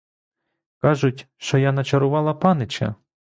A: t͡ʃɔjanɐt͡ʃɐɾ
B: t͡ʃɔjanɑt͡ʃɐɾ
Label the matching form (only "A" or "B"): A